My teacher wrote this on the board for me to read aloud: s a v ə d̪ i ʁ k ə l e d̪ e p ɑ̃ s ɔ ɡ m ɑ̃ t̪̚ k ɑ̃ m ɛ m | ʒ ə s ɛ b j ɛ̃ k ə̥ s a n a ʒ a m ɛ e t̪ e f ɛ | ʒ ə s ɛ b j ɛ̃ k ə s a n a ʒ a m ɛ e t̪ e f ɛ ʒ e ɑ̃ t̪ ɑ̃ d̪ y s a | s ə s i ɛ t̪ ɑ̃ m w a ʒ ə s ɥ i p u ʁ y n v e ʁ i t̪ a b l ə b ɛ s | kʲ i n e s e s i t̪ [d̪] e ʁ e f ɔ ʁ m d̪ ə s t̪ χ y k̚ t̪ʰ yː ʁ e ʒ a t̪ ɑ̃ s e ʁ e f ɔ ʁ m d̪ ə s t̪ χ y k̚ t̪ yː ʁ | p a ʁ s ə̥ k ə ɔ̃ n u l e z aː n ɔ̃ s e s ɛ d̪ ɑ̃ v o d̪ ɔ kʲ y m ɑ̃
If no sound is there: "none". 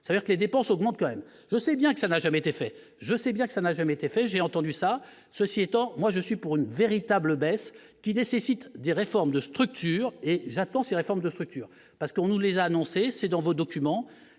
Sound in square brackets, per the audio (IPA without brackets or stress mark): d̪